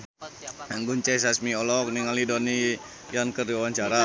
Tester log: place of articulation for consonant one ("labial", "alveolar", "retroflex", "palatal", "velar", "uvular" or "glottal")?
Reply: velar